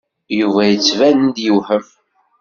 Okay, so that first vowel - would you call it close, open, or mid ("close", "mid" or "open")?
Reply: close